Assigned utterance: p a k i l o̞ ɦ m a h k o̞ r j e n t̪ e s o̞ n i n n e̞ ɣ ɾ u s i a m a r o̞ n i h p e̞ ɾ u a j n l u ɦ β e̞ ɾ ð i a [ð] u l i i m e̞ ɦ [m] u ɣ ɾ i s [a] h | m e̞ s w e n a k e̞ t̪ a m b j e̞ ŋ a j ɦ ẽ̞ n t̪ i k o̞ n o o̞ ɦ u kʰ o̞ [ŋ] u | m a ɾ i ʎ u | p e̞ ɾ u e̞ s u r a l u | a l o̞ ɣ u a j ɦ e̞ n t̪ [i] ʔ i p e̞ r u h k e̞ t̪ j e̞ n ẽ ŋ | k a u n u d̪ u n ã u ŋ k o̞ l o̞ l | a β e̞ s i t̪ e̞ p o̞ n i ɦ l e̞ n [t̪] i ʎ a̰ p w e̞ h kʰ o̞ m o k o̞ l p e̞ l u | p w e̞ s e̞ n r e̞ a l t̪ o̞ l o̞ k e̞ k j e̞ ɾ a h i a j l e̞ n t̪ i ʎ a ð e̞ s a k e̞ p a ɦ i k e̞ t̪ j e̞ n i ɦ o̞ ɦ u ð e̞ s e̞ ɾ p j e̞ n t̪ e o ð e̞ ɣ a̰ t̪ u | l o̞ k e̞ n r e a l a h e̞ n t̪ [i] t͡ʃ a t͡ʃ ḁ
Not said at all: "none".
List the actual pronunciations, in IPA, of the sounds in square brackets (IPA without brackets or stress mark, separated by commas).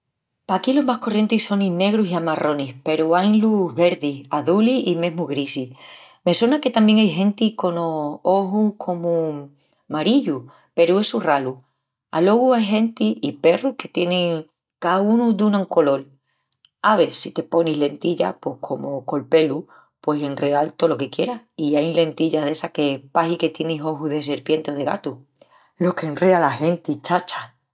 ð, m, i, m, i, t̪, i